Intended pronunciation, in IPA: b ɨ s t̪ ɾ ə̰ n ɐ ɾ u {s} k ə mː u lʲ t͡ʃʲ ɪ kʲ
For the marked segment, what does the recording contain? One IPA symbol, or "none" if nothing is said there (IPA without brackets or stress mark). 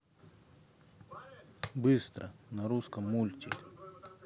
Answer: s